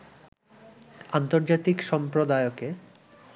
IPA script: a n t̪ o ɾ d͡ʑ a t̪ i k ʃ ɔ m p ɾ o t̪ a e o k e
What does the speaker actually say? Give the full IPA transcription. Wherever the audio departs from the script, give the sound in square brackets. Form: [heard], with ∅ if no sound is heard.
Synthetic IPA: a n t̪ o ɾ d͡ʑ a t̪ i k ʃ ɔ m p ɾ o [d̪] a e o k e